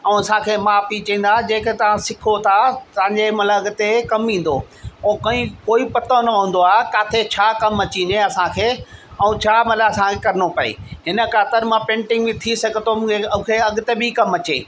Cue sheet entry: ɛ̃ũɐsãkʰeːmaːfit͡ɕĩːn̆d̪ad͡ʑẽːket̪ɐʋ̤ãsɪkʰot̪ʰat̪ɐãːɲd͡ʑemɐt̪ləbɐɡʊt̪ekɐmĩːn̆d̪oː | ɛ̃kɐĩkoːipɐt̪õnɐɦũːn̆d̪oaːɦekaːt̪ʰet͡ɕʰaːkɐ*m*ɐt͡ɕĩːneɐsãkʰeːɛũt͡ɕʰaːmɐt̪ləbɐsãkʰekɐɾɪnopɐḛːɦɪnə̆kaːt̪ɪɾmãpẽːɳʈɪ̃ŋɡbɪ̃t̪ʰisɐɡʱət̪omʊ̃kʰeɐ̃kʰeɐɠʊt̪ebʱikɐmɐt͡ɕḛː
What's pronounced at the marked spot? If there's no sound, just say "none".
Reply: m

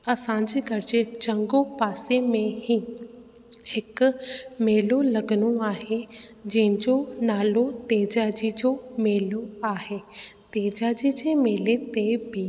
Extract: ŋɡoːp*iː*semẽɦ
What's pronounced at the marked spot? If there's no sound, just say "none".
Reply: aː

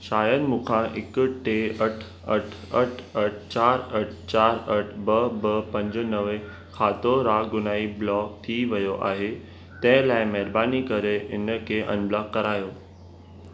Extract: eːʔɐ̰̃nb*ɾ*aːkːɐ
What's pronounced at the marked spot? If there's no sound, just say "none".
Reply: l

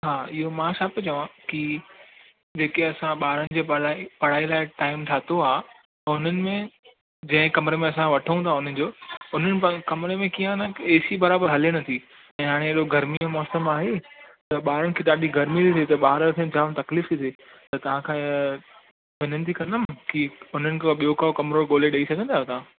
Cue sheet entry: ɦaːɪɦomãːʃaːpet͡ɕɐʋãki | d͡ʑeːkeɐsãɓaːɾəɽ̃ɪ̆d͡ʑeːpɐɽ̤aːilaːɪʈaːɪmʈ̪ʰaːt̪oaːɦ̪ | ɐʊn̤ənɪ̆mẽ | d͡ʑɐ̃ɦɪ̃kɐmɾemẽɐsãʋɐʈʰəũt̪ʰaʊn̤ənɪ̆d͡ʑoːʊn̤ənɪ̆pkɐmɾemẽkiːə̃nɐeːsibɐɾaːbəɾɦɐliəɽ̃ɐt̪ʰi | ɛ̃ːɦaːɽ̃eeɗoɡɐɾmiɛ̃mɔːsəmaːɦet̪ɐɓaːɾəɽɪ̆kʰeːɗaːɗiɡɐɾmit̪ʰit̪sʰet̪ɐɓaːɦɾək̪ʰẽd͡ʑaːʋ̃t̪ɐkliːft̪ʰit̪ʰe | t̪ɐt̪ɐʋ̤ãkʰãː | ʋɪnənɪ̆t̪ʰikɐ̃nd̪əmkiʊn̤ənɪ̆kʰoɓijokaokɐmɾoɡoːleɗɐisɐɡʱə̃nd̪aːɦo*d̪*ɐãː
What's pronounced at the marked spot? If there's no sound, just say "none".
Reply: t̪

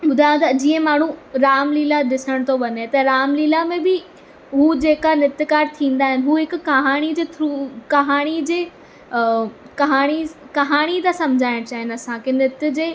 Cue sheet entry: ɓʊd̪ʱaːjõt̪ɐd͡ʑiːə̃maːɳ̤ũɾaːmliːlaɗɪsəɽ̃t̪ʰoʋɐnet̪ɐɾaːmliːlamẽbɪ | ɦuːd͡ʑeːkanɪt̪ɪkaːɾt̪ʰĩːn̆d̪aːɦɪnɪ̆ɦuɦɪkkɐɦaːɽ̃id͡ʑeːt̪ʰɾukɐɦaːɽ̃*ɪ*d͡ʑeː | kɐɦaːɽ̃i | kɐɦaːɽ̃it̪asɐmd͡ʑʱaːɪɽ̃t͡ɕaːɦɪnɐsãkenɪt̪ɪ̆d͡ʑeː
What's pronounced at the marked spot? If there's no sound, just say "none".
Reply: i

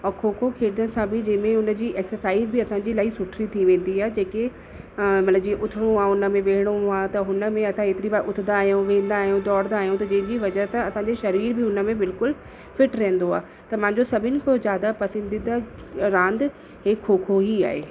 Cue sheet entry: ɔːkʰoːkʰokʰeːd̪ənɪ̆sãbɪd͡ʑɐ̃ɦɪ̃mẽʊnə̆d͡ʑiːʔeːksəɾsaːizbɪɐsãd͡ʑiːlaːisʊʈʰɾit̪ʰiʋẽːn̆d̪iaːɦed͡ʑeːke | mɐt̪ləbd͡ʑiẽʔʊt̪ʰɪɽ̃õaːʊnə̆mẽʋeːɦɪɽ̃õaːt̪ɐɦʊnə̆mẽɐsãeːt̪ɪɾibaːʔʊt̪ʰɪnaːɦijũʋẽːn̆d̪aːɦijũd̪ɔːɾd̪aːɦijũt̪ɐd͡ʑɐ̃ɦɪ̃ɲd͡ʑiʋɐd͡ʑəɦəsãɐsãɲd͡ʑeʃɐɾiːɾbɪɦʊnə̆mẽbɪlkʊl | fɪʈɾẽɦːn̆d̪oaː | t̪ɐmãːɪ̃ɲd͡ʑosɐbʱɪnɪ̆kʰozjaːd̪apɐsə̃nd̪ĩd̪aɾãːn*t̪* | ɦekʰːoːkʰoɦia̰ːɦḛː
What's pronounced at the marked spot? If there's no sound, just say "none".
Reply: d̪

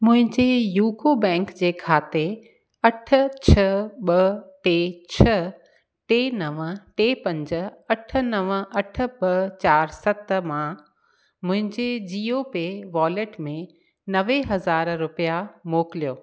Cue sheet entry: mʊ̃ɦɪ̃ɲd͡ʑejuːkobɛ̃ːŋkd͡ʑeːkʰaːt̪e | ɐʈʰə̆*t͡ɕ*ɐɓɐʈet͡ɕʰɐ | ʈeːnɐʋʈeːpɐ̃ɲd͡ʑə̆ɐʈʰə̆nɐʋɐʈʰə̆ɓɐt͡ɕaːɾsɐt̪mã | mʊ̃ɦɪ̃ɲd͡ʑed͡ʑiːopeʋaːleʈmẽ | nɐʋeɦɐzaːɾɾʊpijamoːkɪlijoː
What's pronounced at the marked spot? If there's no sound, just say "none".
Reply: t͡ɕʰ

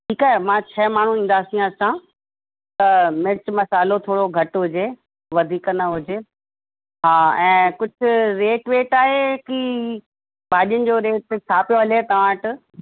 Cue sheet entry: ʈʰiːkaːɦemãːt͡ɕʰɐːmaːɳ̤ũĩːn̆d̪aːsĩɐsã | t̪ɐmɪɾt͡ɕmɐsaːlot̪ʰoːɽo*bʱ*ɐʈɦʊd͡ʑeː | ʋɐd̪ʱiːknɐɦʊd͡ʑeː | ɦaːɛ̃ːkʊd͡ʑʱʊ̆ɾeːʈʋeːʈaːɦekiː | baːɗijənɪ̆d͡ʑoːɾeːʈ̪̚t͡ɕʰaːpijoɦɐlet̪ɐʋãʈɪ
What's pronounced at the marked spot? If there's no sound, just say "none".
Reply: ɡʱ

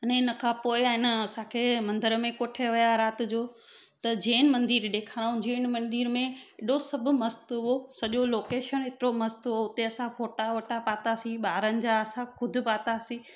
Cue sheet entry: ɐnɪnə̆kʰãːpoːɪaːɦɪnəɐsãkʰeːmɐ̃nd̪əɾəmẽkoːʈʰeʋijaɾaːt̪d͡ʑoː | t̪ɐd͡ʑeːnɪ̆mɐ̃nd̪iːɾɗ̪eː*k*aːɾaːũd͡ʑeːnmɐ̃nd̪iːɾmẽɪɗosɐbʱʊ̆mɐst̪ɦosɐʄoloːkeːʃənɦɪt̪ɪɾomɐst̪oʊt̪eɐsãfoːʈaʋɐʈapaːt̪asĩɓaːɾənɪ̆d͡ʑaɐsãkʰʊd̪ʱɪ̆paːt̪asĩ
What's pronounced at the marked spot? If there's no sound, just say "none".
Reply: kʰ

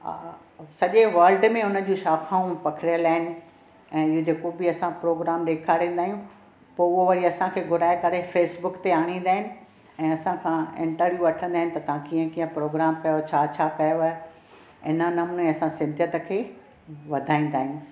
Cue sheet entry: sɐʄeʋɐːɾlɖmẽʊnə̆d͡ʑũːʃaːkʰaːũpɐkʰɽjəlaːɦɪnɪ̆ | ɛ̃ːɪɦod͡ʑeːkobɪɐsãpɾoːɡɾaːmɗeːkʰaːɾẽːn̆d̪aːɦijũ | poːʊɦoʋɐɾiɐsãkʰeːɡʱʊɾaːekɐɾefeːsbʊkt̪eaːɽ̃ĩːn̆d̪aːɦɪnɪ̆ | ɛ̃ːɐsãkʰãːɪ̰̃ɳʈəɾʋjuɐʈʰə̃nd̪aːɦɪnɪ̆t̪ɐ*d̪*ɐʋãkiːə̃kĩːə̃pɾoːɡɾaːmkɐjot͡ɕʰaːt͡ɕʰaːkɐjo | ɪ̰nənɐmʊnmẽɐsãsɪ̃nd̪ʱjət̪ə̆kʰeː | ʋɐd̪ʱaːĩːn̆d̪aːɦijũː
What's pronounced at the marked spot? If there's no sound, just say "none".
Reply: t̪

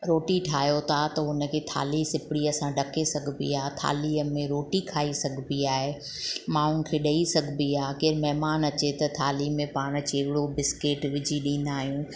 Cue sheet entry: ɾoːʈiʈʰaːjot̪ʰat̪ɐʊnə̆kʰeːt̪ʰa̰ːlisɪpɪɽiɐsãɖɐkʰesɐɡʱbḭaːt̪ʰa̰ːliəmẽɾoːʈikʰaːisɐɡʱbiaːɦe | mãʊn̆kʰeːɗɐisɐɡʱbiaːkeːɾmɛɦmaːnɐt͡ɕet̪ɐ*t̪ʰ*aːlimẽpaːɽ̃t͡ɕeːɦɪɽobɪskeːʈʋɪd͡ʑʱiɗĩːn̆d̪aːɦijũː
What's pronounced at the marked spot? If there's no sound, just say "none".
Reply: t̪ʰ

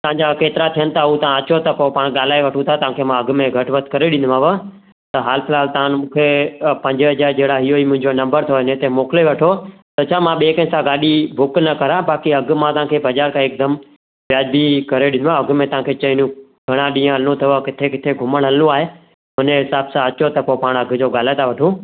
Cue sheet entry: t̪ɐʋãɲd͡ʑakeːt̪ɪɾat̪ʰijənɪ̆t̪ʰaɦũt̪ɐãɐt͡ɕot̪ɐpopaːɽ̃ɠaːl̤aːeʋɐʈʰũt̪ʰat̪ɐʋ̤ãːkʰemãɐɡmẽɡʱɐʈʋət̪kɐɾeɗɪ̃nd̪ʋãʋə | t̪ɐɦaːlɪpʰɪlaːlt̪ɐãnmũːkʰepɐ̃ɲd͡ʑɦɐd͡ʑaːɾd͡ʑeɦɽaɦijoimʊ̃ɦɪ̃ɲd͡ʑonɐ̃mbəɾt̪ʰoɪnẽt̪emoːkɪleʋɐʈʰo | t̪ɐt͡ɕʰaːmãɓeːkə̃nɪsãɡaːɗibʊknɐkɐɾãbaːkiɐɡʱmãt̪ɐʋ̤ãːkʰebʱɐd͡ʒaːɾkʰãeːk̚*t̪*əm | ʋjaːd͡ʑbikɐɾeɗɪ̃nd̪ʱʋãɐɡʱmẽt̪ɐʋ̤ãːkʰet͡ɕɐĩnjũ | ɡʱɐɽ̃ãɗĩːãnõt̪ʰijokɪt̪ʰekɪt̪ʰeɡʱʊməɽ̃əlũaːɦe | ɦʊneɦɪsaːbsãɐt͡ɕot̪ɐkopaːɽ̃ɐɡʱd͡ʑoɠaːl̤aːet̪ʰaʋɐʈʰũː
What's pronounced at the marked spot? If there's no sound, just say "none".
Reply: d̪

